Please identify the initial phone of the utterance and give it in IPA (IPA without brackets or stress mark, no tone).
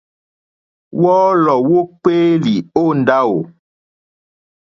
w